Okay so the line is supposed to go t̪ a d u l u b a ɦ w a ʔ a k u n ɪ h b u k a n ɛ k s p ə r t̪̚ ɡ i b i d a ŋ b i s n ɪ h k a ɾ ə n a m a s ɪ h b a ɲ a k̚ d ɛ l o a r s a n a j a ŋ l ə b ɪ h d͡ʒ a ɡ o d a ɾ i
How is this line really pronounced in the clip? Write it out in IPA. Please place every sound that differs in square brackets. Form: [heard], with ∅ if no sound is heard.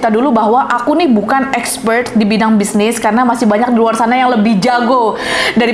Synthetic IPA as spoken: t̪ a d u l u b a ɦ w a ʔ a k u n ɪ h b u k a n ɛ k s p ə r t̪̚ [d] i b i d a ŋ b i s n ɪ [s] k a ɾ ə n a m a s ɪ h b a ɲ a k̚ d [i] l [u] a r s a n a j a ŋ l ə b ɪ h d͡ʒ a ɡ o d a ɾ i